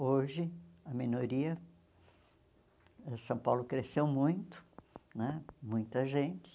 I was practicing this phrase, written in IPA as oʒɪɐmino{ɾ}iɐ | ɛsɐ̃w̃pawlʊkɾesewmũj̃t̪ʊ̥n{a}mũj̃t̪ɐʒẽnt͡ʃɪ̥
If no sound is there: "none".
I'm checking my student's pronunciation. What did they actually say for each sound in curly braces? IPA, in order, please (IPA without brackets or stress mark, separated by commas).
ɾ, ɛ